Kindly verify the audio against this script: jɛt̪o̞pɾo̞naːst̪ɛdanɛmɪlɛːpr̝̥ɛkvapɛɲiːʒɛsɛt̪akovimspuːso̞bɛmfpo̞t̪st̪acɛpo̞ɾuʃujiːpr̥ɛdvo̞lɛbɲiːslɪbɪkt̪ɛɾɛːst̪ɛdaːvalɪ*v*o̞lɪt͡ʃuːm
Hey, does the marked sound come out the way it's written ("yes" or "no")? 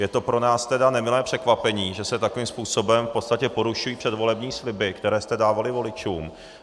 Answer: yes